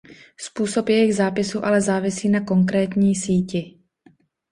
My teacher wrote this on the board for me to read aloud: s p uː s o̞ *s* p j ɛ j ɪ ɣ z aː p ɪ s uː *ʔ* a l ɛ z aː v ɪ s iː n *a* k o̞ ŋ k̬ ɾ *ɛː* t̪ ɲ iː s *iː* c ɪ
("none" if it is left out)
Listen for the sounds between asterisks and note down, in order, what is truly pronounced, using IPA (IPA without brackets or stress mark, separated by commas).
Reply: none, ʔ, a, ɛː, iː